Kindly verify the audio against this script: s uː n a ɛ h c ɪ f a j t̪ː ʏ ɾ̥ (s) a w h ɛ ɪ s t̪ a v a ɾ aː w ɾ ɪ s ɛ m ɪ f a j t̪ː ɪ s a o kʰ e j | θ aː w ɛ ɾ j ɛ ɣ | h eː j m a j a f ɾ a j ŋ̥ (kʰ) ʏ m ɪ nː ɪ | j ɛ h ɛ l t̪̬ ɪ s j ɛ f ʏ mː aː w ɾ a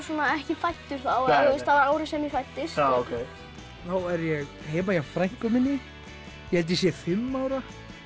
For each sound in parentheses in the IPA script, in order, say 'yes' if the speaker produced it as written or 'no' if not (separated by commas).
no, no